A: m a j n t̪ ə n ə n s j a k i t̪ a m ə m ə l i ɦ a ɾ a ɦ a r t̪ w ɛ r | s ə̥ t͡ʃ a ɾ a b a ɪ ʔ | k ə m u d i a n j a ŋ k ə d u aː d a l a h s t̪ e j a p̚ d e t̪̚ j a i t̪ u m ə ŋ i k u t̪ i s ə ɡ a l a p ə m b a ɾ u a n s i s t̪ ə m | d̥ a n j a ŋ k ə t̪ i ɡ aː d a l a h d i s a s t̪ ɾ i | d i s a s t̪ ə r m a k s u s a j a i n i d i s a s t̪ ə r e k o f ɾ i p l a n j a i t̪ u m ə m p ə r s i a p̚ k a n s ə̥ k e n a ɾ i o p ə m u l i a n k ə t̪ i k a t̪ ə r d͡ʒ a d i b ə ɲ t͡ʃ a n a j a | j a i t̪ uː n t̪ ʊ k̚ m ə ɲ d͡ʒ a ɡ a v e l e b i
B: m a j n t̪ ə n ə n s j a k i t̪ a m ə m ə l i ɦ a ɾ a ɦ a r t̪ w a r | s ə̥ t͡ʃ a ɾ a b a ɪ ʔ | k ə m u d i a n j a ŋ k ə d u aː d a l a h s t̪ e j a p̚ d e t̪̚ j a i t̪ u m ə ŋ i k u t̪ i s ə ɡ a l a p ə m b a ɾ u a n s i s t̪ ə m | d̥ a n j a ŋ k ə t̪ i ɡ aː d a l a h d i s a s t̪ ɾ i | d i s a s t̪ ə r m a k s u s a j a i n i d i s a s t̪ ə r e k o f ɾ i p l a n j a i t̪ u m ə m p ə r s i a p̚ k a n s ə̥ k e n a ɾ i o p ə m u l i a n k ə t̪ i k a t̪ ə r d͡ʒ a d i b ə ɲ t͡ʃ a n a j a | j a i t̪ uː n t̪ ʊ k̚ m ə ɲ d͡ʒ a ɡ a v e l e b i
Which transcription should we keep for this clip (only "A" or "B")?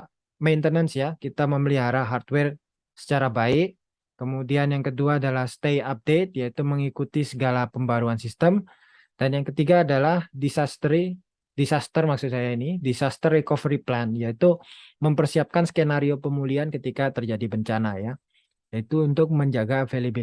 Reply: A